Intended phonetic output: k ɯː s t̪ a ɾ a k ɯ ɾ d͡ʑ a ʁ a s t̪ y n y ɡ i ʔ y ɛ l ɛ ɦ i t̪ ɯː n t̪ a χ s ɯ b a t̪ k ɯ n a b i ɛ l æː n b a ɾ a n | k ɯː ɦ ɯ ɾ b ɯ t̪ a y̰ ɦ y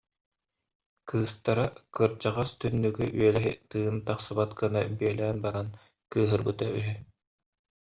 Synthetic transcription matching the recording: k ɯː s t̪ a ɾ a k ɯ ɾ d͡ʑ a ʁ a s t̪ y nː y ɡ y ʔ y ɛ l ɛ ɦ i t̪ ɯː n t̪ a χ s ɯ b a t̪ k ɯ n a b i ɛ l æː n b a ɾ a n | k ɯː ɦ ɯ ɾ b ɯ t̪ a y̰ ɦ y

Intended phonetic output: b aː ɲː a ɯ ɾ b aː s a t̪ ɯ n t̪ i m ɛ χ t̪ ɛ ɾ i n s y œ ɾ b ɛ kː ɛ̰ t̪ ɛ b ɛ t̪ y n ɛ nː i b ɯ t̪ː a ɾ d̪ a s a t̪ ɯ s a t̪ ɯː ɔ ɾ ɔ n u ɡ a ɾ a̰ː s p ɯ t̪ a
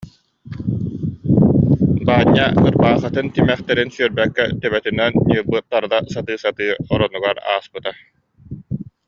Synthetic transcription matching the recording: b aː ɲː a ɯ ɾ b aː χ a t̪ ɯ n t̪ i m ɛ χ t̪ ɛ ɾ i n s y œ ɾ b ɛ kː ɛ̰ t̪ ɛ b ɛ t̪ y n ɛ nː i b ɯ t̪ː a ɾ d̪ a s a t̪ ɯː s a t̪ ɯː ɔ ɾ ɔ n u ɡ a ɾ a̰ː s p ɯ t̪ a

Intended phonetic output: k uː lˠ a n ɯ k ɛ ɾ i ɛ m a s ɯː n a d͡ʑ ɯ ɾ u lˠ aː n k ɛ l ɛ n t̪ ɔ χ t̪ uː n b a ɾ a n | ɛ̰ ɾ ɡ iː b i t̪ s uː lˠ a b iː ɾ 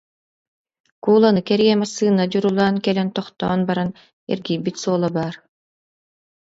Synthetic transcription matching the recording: k uː lˠ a n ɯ k ɛ ɾ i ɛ m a s ɯː n a d͡ʑ u ɾ u lˠ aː n k ɛ l ɛ n t̪ ɔ χ t̪ ɔː n b a ɾ a n | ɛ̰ ɾ ɡ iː b i t̪ s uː lˠ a b aː ɾ

